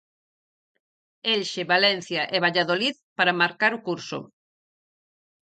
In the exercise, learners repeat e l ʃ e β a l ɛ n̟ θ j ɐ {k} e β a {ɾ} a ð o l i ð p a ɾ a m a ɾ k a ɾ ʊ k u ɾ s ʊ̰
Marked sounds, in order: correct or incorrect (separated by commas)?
incorrect, incorrect